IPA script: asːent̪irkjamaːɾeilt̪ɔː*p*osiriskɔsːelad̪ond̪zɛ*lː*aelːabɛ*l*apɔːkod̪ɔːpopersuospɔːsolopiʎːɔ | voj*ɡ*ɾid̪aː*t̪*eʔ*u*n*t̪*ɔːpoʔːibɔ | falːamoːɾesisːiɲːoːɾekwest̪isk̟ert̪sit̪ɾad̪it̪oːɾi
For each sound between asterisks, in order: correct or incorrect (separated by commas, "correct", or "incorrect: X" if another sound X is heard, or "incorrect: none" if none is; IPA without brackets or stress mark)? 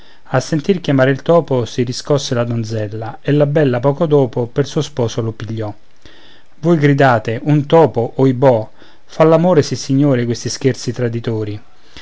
correct, correct, incorrect: lː, correct, correct, correct, correct